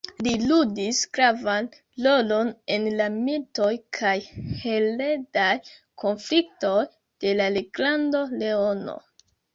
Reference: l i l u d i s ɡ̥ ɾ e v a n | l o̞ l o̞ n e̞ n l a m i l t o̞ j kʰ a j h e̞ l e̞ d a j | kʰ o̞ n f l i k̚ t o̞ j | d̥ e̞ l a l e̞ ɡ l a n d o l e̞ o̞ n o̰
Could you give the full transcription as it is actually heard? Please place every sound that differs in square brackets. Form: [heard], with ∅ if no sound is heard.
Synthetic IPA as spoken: l i l u d i s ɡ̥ ɾ [a] v a n | l o̞ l o̞ n e̞ n l a m i l t o̞ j kʰ a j h e̞ l e̞ d a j | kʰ o̞ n f l i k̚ t o̞ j | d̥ e̞ l a l e̞ ɡ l a n d o l e̞ o̞ n o̰